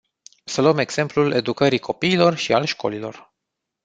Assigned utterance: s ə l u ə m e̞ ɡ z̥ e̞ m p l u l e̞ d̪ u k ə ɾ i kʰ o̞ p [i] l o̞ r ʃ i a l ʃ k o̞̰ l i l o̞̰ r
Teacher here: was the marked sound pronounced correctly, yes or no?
no